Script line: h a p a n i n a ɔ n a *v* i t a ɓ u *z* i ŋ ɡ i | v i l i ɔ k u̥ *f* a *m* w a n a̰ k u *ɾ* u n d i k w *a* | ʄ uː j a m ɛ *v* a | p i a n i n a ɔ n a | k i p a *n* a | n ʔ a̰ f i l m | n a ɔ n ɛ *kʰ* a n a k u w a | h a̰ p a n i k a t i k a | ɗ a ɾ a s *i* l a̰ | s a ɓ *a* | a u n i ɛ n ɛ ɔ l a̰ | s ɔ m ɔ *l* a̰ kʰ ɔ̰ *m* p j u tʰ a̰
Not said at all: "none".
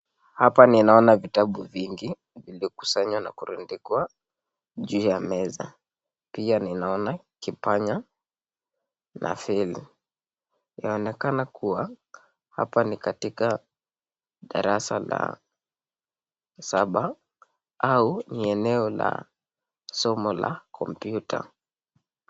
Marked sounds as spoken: v, v, s, ɲ, ɾ, a, z, ɲ, k, a, a, l, m

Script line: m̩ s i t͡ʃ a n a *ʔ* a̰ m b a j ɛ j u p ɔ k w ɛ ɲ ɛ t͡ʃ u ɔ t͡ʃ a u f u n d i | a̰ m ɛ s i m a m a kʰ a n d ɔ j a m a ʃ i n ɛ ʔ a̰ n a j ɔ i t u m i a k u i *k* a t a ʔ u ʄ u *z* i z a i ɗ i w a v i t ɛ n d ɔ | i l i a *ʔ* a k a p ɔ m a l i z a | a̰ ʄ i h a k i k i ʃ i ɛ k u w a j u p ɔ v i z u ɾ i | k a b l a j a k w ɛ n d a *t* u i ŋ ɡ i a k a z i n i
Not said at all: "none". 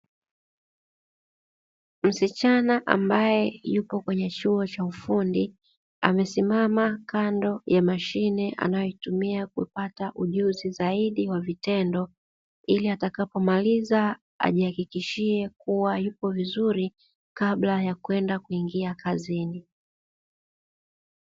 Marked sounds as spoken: ʔ, p, z, t, k

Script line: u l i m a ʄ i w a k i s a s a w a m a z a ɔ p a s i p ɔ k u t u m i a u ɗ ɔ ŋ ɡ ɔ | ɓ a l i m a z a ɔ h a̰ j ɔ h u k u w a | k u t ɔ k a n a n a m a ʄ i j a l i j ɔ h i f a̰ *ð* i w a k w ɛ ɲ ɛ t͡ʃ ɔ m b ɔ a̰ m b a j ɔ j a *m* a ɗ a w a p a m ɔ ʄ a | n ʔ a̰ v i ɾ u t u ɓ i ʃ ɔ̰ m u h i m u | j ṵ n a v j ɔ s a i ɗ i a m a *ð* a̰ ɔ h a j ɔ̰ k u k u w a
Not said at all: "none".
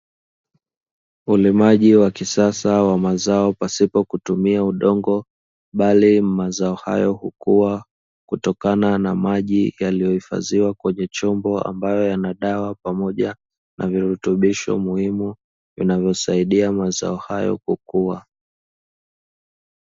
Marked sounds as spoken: z, n, z

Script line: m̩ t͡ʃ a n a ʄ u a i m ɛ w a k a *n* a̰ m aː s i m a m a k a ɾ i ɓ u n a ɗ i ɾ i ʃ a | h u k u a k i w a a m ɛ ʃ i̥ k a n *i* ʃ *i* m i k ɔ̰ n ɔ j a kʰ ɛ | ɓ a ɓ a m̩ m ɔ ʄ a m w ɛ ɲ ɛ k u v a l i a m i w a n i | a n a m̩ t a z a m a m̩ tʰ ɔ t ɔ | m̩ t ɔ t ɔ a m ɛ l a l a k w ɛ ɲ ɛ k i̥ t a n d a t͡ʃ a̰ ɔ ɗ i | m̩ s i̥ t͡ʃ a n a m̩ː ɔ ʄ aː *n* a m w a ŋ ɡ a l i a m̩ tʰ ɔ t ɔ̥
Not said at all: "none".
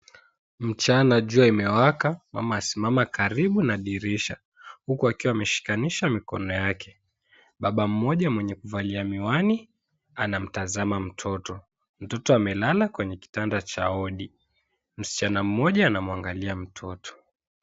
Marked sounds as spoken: m, i, a, n

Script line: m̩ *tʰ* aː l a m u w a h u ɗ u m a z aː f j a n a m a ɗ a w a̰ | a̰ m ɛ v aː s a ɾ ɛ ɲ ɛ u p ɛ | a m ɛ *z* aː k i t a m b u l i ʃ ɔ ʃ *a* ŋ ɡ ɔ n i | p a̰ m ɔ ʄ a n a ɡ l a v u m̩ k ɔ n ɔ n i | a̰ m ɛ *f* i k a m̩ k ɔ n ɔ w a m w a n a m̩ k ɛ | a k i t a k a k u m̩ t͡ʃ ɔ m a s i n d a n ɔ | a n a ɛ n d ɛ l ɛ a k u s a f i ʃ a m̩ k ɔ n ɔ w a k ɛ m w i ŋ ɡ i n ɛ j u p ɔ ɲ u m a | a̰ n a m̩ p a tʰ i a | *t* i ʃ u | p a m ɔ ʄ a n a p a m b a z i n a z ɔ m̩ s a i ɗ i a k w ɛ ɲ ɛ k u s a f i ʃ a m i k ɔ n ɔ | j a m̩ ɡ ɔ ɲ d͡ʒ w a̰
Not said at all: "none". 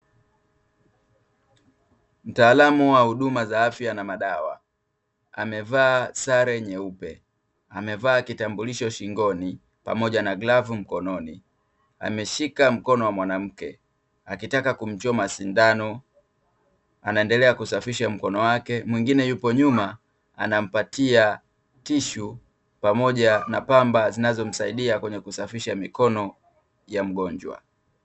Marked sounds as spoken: t, v, i, ʃ, t

